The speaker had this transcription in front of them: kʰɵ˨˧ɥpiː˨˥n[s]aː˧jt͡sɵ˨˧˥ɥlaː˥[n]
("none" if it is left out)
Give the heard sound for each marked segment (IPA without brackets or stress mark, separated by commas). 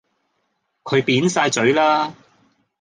s, none